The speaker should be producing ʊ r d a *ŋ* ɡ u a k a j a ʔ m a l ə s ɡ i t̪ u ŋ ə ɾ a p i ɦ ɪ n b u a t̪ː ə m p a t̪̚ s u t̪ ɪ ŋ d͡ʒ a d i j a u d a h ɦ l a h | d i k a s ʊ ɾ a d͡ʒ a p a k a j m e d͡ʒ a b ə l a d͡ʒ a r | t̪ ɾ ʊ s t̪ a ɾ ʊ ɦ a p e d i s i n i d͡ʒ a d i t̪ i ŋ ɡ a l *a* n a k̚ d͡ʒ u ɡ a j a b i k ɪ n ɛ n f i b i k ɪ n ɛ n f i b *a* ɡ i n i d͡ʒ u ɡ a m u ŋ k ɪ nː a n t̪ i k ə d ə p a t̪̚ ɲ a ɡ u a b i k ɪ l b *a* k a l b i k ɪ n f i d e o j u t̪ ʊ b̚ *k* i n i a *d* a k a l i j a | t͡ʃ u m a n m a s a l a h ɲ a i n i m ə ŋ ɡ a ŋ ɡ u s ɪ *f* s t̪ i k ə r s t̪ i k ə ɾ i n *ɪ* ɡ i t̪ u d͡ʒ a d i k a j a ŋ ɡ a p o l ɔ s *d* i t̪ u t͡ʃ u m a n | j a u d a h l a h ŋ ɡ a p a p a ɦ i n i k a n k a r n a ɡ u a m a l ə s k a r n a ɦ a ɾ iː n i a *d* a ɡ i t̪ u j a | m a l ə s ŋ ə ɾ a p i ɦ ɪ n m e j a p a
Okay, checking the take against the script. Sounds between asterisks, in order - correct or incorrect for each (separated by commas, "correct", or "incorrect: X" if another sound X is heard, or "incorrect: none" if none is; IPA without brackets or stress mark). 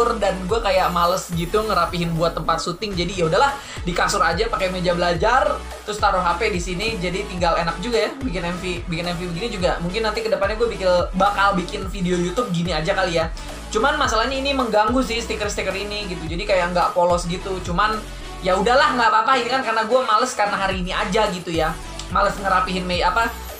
incorrect: n, incorrect: e, incorrect: ə, correct, incorrect: ɡ, incorrect: d͡ʒ, incorrect: h, incorrect: i, incorrect: ɡ, incorrect: d͡ʒ